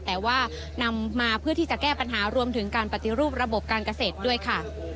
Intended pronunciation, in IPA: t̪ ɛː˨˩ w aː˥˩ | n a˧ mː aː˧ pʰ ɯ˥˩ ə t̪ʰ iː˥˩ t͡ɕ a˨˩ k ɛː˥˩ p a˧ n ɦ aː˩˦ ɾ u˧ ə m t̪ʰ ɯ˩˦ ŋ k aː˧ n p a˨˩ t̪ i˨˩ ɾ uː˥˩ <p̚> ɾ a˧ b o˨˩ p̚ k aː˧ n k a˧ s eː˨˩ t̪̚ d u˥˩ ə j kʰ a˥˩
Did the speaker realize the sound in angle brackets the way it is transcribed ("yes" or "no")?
yes